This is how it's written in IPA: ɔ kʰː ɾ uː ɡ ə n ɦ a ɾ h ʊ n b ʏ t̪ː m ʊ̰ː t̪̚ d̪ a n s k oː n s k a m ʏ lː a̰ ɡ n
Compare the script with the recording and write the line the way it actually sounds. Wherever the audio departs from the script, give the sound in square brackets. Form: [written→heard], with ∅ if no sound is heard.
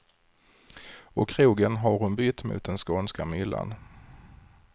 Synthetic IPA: ɔ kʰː ɾ uː ɡ ə n ɦ a ɾ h ʊ n b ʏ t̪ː m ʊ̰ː t̪̚ d̪ [a→ɛ] n s k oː n s k a m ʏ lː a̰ [ɡ→∅] n